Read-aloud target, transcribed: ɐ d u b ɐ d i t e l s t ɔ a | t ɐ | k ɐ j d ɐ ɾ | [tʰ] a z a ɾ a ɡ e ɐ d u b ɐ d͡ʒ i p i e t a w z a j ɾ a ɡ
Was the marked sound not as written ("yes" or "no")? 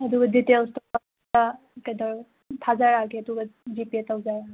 no